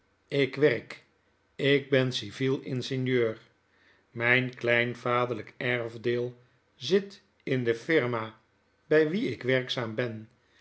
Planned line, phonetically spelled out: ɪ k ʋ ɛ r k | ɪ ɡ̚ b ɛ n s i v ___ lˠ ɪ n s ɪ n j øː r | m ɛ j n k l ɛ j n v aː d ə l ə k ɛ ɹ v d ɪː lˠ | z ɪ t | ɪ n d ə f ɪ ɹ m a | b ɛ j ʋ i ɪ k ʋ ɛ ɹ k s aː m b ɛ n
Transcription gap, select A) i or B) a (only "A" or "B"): A